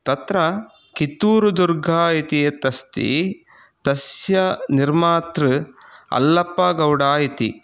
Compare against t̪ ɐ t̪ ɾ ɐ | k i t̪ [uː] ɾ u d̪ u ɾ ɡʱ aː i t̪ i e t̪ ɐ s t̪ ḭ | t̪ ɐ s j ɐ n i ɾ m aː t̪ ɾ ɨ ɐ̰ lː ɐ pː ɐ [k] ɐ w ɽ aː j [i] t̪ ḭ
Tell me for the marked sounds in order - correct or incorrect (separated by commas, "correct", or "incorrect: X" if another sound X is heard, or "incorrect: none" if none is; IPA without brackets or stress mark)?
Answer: correct, incorrect: ɡ, correct